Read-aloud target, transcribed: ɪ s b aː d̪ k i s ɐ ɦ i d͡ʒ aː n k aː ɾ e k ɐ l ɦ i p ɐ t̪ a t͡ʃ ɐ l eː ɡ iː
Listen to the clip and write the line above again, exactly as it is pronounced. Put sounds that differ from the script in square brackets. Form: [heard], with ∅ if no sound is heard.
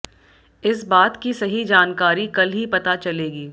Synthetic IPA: ɪ s b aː [t̪] k i s ɐ ɦ i d͡ʒ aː n k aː ɾ [i] k ɐ l ɦ i p ɐ t̪ a t͡ʃ ɐ l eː ɡ iː

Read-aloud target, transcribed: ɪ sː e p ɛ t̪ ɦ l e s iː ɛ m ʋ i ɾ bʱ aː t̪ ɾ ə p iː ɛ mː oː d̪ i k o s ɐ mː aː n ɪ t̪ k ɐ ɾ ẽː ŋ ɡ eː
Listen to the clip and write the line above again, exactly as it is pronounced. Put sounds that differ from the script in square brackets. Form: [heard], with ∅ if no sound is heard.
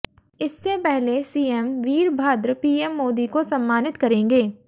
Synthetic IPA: ɪ sː e p ɛ [∅] ɦ l e s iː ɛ m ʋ [iː] ɾ bʱ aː [d̪] ɾ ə p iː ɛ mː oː d̪ i k o s ɐ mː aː n ɪ t̪ k ɐ ɾ ẽː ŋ ɡ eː

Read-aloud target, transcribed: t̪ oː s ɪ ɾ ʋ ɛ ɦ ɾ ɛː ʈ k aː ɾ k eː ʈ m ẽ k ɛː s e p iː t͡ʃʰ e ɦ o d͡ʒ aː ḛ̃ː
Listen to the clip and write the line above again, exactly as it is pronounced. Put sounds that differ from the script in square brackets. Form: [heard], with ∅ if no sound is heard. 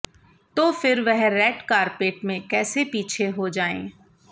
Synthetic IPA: t̪ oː [f] ɪ ɾ ʋ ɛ ɦ ɾ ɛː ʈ k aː ɾ [p] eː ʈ m ẽ k ɛː s e p iː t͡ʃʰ e ɦ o d͡ʒ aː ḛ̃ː

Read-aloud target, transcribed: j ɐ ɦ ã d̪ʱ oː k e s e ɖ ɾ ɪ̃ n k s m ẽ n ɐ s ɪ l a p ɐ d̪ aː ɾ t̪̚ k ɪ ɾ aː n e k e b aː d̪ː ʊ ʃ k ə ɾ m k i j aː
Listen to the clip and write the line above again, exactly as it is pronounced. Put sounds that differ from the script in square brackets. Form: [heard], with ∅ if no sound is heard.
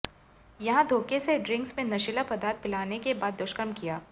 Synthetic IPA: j ɐ ɦ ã d̪ʱ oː k e s e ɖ ɾ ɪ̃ [ŋ] k s m ẽ n ɐ [ʃ] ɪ l a p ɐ d̪ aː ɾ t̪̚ [p] ɪ [l] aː n e k e b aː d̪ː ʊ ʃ k ə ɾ m k i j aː

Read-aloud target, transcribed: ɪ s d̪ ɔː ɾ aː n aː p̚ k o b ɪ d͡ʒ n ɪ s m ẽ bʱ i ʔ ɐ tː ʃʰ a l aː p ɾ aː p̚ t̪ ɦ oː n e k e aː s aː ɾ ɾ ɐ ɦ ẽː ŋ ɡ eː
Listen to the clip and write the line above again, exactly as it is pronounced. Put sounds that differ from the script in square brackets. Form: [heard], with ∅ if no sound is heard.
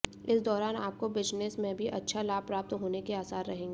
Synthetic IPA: ɪ s d̪ ɔː ɾ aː n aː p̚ k o b ɪ d͡ʒ n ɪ s m ẽ bʱ i ʔ ɐ tː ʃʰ a l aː p ɾ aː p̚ t̪ ɦ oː n e k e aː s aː ɾ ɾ ɐ ɦ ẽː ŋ ɡ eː

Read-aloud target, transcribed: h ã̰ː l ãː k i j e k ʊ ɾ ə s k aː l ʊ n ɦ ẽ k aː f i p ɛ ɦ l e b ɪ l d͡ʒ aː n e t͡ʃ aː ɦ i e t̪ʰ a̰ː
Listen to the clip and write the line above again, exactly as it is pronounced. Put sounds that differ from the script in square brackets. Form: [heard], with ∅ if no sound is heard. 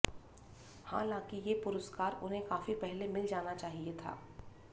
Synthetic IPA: h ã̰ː l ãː k i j e [p] ʊ ɾ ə s k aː [ɾ] ʊ n ɦ ẽ k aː f i p ɛ ɦ l e [m] ɪ l d͡ʒ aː n [a] t͡ʃ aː ɦ i e t̪ʰ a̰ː

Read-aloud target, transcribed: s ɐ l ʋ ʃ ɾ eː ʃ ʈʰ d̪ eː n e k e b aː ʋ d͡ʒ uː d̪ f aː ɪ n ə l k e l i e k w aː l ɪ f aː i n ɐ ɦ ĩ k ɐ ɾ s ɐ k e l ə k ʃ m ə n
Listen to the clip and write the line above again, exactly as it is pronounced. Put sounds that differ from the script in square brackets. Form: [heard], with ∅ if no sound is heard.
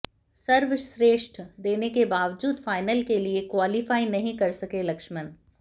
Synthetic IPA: s ɐ [ɾ] ʋ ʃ ɾ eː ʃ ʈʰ d̪ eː n e k e b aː ʋ d͡ʒ uː d̪ f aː ɪ n ə l k e l i e k w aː l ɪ f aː i n ɐ ɦ ĩ k ɐ ɾ s ɐ k e l [ɐ] k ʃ m ə n

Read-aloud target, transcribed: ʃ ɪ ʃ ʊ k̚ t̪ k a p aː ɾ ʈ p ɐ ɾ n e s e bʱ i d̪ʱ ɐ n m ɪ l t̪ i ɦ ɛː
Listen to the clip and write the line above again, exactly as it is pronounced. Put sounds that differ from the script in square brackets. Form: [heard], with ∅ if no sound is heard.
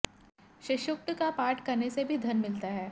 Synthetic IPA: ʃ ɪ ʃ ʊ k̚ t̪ k a p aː ɾ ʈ [k] ɐ ɾ n e s e bʱ i d̪ʱ ɐ n m ɪ l t̪ [a] ɦ ɛː

